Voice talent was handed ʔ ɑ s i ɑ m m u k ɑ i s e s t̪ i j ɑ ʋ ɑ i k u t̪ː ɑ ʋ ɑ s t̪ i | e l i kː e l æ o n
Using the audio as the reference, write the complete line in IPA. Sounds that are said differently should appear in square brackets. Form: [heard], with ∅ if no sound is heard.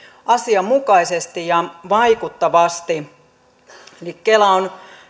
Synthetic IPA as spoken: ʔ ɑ s i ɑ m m u k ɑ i s e s t̪ i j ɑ ʋ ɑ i k u t̪ː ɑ ʋ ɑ s t̪ i | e l i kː e l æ o n

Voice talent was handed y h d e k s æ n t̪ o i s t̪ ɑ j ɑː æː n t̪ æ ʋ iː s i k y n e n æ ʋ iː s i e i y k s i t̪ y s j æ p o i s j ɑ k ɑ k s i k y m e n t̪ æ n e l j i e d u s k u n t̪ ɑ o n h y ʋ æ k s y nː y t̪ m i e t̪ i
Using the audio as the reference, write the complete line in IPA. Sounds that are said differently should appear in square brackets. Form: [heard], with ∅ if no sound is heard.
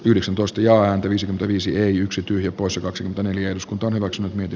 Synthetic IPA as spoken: y h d e k s æ n t̪ o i s t̪ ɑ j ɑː æː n t̪ æ ʋ iː s i k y [m] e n æ ʋ iː s i e i y k s i t̪ y [h] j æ p o i s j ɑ k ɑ k s i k y m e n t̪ æ n e l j [æ] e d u s k u n t̪ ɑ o n h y ʋ æ k s y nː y t̪ m i e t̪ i

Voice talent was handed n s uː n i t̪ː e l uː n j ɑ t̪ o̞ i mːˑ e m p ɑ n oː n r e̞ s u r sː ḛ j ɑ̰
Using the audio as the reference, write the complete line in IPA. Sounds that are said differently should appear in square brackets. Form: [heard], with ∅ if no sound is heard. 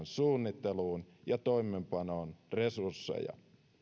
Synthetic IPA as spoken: n s uː [nː] i t̪ː e l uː n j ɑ t̪ o̞ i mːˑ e m p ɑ n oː n r e̞ s u r sː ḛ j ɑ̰

